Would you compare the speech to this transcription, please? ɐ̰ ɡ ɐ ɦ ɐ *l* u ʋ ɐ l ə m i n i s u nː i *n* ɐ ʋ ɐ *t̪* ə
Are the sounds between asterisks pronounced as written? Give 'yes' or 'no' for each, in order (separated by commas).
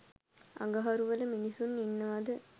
no, no, no